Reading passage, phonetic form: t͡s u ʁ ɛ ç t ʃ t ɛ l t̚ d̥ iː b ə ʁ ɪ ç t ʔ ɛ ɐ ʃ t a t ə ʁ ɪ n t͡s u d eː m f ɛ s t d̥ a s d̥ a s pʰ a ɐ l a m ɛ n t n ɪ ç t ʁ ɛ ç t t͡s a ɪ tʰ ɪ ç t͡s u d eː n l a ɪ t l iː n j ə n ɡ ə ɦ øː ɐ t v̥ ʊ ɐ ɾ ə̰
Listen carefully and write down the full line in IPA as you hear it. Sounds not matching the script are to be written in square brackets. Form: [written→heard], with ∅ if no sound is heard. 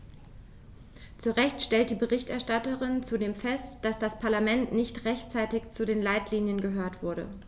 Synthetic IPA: t͡s u ʁ ɛ ç t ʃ t ɛ l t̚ d̥ iː b ə ʁ ɪ ç t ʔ ɛ ɐ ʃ t a t ə ʁ ɪ n t͡s u d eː m f ɛ s t d̥ a s d̥ a s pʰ a ɐ l a m ɛ n t n ɪ ç t ʁ ɛ ç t t͡s a ɪ [tʰ→t] ɪ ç t͡s u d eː n l a ɪ t l iː n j ə n ɡ ə ɦ øː ɐ t v̥ ʊ ɐ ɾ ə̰